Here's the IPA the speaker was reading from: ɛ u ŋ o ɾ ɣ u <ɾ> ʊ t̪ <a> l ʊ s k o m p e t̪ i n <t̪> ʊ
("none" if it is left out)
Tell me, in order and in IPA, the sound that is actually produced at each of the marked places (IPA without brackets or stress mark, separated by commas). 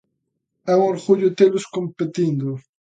ʎ, e, d̪